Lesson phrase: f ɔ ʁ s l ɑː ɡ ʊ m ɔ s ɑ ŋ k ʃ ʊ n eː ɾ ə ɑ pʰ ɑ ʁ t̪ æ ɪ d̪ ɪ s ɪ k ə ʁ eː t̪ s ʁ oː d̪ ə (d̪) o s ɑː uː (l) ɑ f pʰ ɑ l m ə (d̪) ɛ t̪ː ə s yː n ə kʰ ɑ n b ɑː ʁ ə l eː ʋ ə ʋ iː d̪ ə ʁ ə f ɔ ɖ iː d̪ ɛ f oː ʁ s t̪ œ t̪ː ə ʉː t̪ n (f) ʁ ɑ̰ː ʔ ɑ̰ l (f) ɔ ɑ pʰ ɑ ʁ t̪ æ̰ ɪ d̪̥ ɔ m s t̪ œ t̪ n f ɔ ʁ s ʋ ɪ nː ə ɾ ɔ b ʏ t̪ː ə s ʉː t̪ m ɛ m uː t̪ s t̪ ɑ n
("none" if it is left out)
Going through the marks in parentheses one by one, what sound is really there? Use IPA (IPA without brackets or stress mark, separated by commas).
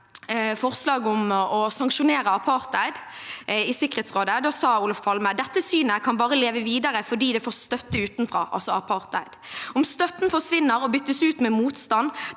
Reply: d̪, l, d̪, f, s